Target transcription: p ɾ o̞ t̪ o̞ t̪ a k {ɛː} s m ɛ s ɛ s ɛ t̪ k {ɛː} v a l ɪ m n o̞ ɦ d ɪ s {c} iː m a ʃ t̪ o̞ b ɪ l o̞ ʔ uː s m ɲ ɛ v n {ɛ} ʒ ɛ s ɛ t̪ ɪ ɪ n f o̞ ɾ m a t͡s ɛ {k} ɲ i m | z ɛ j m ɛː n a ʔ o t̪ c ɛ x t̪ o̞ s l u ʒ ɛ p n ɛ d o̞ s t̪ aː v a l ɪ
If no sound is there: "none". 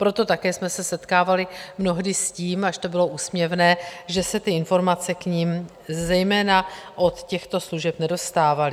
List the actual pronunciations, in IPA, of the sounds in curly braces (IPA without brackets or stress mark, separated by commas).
ɛː, aː, c, ɛː, k